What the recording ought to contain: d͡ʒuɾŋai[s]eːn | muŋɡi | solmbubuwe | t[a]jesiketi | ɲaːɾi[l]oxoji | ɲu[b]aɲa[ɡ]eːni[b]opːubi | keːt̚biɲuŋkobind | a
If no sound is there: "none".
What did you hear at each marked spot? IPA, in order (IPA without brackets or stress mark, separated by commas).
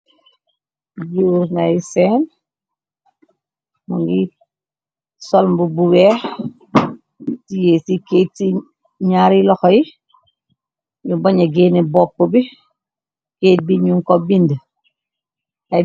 s, i, l, b, ɡ, b